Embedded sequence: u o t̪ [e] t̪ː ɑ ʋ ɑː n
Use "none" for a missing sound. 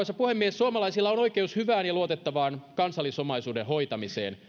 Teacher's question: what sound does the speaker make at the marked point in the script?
e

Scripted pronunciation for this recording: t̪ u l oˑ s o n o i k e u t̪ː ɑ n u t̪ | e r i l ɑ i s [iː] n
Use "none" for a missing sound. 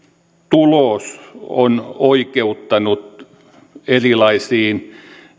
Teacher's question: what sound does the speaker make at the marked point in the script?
iː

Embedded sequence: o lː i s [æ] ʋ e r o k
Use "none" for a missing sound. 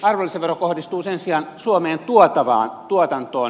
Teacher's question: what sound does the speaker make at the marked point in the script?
e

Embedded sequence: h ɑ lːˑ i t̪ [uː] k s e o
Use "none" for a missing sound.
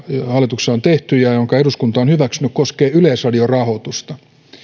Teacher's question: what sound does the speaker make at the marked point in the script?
u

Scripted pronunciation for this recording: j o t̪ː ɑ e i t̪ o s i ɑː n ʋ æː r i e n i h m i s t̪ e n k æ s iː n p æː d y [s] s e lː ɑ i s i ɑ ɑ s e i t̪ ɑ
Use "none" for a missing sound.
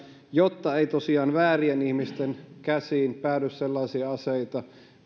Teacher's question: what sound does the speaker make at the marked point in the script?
s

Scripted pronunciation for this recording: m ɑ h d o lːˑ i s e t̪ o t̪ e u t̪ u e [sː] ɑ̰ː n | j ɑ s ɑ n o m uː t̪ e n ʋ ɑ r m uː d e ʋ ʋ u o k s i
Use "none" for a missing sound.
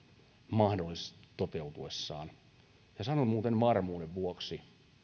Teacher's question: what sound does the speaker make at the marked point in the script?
sː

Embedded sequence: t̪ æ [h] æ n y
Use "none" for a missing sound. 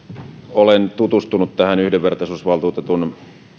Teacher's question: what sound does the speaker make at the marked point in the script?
h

